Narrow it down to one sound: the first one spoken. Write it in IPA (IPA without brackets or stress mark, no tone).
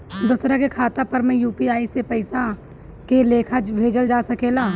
d̪